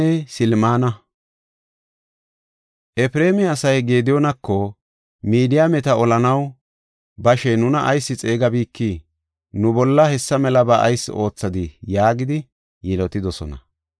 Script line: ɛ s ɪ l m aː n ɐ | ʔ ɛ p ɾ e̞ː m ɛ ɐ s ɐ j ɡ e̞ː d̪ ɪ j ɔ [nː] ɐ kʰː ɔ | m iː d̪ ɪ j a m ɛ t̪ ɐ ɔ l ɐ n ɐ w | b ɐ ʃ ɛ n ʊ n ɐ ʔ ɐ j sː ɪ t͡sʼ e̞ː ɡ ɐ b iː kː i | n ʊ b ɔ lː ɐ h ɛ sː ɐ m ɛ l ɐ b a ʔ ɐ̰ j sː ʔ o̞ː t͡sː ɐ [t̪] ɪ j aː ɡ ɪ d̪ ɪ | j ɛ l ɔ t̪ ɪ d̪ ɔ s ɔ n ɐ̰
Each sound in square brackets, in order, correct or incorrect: incorrect, incorrect

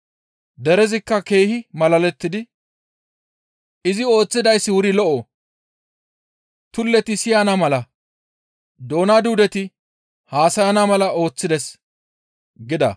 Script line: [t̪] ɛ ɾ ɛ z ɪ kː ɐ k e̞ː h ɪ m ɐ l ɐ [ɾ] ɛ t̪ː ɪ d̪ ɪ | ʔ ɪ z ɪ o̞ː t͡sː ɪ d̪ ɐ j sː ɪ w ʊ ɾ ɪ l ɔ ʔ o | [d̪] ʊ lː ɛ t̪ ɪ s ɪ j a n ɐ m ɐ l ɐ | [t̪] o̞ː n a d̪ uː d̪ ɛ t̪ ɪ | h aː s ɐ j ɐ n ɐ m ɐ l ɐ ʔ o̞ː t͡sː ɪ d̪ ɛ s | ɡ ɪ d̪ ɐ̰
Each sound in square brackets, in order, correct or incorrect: incorrect, incorrect, incorrect, incorrect

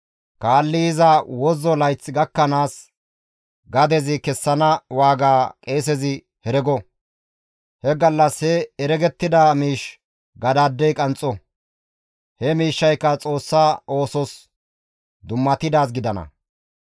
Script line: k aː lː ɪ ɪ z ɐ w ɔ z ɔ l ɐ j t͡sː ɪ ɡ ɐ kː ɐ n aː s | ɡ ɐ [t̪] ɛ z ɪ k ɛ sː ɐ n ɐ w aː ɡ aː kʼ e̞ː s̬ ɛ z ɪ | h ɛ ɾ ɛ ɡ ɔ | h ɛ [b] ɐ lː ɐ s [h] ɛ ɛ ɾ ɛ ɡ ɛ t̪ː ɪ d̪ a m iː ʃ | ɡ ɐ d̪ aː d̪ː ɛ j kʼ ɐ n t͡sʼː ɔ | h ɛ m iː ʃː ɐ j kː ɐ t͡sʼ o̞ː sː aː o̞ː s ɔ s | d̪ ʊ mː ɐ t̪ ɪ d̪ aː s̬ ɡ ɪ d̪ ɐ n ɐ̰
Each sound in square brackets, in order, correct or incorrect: incorrect, incorrect, correct

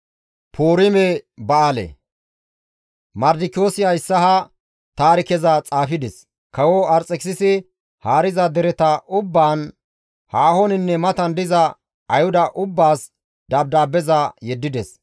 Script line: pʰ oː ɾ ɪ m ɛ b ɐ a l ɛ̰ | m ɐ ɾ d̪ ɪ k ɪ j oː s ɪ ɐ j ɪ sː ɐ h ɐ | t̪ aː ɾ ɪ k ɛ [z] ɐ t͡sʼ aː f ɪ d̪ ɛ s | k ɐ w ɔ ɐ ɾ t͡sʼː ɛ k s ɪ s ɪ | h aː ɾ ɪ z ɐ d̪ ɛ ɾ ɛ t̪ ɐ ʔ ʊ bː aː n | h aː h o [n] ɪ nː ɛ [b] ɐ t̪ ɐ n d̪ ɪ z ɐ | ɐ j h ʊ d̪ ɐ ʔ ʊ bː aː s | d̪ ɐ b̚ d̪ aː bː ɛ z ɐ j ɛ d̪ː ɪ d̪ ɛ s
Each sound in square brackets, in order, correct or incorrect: correct, correct, incorrect

